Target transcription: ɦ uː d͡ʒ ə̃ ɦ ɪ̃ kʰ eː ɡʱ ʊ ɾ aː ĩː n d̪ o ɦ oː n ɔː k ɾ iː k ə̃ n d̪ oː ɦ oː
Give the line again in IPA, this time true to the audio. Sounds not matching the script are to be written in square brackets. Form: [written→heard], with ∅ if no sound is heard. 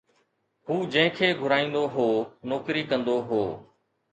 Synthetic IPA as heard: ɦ uː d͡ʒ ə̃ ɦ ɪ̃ kʰ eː ɡʱ ʊ ɾ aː ĩː n d̪ o ɦ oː n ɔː k ɾ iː k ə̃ n d̪ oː ɦ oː